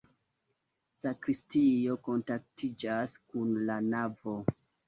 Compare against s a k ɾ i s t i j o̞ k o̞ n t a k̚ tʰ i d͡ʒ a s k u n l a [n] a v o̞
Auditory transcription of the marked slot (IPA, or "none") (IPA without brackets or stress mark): n